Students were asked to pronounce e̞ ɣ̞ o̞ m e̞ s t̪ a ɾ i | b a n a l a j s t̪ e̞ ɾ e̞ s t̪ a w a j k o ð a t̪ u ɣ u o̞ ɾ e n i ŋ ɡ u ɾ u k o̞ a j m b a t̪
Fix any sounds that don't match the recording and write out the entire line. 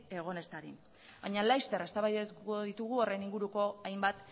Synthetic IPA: e̞ ɣ̞ o̞ n e̞ s t̪ a ɾ i | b a ɲ a l a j s t̪ e̞ ɾ e̞ s t̪ a β a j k o ð i t̪ u ɣ u o̞ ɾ e n i ŋ ɡ u ɾ u k o̞ a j m b a t̪